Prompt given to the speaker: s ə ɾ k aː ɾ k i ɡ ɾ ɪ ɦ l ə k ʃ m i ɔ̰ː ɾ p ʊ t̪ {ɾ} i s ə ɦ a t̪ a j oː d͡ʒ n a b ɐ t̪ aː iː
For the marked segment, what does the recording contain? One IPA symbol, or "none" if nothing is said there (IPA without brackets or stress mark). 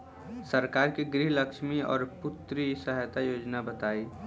ɾ